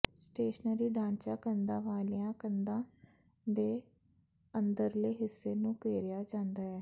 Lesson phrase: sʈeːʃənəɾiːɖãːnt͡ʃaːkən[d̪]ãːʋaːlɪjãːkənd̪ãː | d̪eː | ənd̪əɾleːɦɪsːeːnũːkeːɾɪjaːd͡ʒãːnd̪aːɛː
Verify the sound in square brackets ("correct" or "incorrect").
correct